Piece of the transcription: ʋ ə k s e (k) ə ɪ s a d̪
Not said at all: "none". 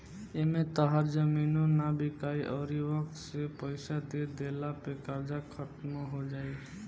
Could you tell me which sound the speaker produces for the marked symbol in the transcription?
p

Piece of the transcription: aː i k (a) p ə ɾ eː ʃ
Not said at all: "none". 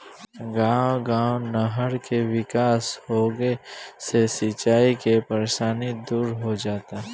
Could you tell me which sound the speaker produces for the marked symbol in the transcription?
e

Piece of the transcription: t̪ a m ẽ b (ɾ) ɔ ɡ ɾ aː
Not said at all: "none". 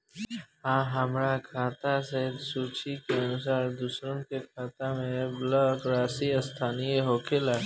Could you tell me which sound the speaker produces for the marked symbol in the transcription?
l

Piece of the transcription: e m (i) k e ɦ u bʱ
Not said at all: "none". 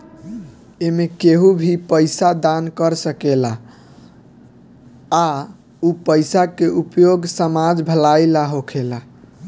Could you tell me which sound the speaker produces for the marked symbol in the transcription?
e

